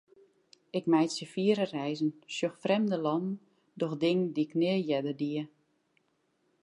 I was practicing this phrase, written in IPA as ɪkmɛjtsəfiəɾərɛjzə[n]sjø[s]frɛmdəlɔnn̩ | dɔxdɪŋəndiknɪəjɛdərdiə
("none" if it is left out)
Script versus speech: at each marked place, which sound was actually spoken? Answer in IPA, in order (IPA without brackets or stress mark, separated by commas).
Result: n, x